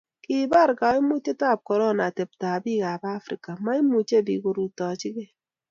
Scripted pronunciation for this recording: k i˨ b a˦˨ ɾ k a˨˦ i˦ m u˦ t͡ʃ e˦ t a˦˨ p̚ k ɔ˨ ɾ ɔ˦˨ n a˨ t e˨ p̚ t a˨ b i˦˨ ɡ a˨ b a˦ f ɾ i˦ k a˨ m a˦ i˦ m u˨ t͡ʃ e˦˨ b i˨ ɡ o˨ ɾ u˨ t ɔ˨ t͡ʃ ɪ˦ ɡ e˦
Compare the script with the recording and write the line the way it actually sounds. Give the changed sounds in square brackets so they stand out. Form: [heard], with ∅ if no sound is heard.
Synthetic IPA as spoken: k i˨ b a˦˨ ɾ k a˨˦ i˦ m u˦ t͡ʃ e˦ t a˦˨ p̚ k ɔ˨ ɾ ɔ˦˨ n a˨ t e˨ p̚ t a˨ b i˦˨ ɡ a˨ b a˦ f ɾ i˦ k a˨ m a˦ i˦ m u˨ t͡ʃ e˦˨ b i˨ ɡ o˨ ɾ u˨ t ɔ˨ t͡ʃ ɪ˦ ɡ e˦